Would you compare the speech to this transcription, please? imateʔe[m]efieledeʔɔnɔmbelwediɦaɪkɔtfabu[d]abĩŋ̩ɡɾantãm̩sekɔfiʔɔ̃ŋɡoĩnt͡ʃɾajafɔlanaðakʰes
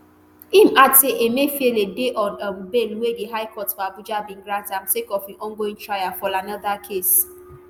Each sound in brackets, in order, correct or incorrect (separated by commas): correct, incorrect